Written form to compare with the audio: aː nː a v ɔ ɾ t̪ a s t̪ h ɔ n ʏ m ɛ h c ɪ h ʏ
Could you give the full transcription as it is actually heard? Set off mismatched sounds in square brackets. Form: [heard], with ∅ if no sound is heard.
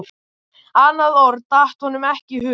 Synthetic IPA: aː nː a [ð] ɔ ɾ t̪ a [h] t̪ h ɔ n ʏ m ɛ h c ɪ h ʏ